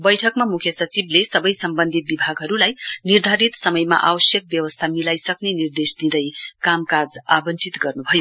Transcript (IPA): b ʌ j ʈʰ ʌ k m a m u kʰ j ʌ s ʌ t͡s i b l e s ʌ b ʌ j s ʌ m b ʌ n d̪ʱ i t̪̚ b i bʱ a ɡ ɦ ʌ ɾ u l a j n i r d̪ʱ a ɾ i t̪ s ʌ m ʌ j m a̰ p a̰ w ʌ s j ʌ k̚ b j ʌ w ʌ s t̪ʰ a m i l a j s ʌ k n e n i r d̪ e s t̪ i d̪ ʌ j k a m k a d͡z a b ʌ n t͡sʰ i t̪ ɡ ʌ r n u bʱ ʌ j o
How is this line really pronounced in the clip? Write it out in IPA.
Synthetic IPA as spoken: b ʌ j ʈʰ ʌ k m a m u kʰ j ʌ s ʌ t͡s i b l e s ʌ b ʌ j s ʌ m b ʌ n d̪ʱ i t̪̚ b i bʱ a ɡ ɦ ʌ ɾ u l a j n i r d̪ʱ a ɾ i t̪ s ʌ m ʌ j m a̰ ʔ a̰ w ʌ s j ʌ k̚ b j ʌ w ʌ s t̪ʰ a m i l a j s ʌ k n e n i r d̪ e s d̪ i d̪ ʌ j k a m k a d͡z a b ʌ n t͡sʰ i t̪ ɡ ʌ r n u bʱ ʌ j o